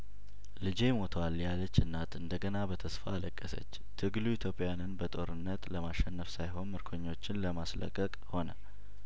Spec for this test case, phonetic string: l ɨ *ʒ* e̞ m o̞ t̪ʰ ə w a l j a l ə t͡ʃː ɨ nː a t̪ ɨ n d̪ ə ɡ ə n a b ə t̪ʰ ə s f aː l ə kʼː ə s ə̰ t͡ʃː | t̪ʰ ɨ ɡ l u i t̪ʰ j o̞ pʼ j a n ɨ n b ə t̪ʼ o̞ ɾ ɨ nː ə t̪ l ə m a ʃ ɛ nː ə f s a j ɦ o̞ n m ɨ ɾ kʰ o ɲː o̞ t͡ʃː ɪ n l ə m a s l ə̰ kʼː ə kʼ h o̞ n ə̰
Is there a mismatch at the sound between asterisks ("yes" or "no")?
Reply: yes